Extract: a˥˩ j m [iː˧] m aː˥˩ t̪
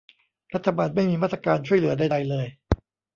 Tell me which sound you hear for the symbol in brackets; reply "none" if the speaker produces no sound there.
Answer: iː˧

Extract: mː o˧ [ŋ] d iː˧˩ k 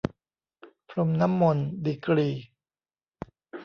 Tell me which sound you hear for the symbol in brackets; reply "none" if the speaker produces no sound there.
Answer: n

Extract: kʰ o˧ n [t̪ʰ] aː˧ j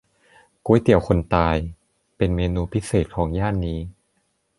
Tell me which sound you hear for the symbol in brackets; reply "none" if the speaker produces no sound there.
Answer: t̪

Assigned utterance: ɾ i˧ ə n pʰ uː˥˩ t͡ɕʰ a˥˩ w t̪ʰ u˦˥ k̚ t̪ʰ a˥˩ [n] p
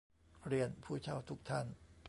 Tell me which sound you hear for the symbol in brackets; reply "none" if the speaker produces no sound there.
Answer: n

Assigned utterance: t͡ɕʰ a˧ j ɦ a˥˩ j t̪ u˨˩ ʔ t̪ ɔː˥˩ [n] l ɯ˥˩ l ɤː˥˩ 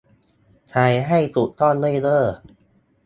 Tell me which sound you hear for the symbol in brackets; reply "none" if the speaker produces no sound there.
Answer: n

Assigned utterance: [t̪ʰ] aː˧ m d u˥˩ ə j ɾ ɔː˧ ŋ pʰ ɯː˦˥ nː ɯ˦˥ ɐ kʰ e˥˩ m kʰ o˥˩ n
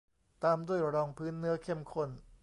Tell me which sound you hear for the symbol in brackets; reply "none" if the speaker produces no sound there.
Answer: t̪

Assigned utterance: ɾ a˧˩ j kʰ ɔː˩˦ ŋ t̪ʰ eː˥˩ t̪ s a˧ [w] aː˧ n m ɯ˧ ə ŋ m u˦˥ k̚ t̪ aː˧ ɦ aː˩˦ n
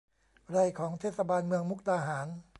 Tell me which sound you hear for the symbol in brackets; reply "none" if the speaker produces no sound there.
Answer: b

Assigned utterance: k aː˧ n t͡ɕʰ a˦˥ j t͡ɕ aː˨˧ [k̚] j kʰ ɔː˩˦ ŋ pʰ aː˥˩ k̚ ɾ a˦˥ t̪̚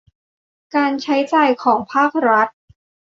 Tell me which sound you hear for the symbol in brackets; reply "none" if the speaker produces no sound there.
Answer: none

